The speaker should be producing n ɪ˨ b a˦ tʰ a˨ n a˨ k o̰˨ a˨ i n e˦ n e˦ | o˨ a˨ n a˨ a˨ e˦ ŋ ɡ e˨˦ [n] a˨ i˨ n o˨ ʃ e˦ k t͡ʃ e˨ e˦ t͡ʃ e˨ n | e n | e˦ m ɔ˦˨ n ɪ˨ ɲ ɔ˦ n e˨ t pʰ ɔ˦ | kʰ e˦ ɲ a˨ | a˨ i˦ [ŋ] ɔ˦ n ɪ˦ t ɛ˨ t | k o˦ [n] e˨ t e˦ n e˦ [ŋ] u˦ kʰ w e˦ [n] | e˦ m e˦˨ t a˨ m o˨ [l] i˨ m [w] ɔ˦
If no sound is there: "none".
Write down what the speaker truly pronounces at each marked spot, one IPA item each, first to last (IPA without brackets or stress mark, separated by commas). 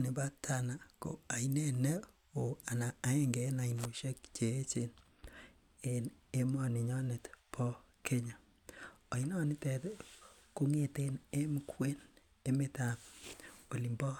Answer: n, n, ŋ, m, n, l, b